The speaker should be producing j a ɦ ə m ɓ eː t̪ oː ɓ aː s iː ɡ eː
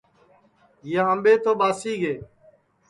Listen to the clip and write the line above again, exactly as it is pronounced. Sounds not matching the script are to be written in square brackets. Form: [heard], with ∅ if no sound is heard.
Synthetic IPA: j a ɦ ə m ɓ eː t̪ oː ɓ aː s iː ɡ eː

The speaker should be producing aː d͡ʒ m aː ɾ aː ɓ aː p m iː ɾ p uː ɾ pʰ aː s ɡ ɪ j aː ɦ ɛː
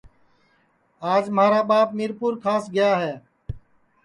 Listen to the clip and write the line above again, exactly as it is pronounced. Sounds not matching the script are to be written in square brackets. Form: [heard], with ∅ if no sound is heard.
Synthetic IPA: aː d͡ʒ m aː ɾ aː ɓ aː p m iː ɾ p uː ɾ [kʰ] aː s ɡ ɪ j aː ɦ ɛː

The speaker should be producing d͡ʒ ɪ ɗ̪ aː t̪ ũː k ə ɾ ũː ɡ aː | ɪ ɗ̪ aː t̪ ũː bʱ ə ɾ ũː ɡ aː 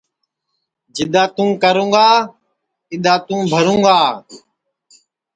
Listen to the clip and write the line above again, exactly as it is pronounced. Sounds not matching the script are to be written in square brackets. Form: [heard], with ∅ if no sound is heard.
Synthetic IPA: d͡ʒ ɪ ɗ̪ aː t̪ ũː k ə ɾ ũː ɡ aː | ɪ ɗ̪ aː t̪ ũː bʱ ə ɾ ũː ɡ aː

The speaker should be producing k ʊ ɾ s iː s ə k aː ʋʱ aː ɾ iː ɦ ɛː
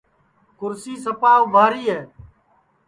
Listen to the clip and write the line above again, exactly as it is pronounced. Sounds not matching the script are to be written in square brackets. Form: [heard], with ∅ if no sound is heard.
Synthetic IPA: k ʊ ɾ s iː s ə [p] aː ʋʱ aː ɾ iː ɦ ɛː

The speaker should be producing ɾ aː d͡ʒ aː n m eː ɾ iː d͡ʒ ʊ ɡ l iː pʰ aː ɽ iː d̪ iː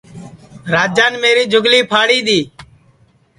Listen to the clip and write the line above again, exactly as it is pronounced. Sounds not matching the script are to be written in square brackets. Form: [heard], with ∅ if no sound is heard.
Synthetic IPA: ɾ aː d͡ʒ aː n m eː ɾ iː d͡ʒ ʊ ɡ l iː pʰ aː ɽ iː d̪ iː

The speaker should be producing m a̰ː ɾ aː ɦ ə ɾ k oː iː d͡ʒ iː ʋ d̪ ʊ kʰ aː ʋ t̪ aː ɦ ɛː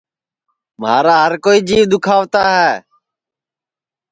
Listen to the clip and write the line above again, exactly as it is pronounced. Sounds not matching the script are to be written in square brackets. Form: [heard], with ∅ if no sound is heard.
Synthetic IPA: m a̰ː ɾ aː ɦ ə ɾ k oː iː d͡ʒ iː ʋ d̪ ʊ kʰ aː ʋ t̪ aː ɦ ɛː

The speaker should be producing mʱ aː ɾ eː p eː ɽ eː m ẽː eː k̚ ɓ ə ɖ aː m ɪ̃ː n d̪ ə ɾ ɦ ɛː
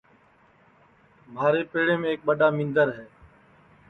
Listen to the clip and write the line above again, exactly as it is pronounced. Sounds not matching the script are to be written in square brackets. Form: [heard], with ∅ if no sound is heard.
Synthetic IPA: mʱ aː ɾ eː p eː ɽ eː m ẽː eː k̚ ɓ ə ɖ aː m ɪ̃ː n d̪ ə ɾ ɦ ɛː

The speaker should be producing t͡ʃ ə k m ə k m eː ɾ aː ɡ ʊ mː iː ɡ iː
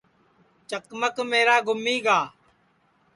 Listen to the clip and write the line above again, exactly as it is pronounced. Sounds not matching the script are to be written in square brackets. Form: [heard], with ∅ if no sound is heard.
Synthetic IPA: t͡ʃ ə k m ə k m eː ɾ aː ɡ ʊ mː iː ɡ [aː]

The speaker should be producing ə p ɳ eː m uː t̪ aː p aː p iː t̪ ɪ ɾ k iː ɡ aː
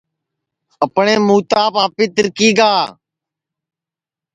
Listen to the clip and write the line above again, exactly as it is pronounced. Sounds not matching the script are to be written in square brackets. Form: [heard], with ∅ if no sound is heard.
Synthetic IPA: ə p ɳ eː m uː t̪ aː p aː p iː t̪ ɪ ɾ k iː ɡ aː

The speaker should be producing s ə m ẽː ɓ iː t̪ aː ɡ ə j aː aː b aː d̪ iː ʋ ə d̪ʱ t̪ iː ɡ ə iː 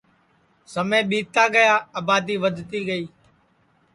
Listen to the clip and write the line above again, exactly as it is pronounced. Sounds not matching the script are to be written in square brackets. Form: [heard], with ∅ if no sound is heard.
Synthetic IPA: s ə m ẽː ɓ iː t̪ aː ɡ ə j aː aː b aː d̪ iː ʋ ə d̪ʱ t̪ iː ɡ ə iː

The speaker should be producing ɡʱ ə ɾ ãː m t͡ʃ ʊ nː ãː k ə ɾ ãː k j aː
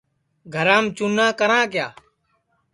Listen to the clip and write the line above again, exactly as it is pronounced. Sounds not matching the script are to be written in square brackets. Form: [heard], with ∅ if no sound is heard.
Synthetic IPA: ɡʱ ə ɾ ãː m t͡ʃ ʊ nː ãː k ə ɾ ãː k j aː

